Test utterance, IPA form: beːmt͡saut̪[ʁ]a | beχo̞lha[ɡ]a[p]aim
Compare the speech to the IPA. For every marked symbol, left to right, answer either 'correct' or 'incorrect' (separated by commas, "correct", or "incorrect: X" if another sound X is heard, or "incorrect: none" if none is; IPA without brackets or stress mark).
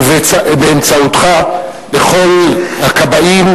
incorrect: χ, incorrect: k, incorrect: b